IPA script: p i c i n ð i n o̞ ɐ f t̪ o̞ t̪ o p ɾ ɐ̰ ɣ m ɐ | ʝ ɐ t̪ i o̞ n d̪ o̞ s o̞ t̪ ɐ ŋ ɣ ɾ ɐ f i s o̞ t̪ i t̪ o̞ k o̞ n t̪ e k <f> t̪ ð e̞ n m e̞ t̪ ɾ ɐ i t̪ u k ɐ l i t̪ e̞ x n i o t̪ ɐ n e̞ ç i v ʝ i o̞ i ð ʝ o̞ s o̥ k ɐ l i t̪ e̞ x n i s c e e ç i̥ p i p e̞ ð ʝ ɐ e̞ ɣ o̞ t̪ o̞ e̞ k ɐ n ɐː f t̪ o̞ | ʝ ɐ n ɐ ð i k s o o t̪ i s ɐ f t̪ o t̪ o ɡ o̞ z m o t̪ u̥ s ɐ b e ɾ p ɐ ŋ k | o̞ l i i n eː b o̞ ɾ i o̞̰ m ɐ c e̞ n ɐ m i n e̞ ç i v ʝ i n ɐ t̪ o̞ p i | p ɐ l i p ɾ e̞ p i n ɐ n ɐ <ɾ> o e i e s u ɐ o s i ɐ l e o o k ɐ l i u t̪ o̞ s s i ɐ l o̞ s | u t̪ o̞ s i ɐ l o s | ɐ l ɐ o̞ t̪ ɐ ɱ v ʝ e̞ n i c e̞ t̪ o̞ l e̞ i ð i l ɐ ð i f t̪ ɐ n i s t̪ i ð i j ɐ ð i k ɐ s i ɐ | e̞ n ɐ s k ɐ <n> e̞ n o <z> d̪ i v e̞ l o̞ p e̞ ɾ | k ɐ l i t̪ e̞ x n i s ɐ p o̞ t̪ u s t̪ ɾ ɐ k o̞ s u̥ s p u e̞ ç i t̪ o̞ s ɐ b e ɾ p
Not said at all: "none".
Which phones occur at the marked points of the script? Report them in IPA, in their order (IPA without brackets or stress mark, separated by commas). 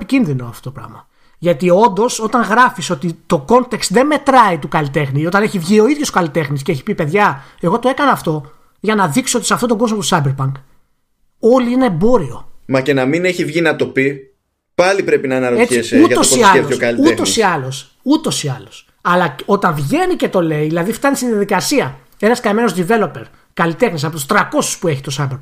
s, ɾ, m, z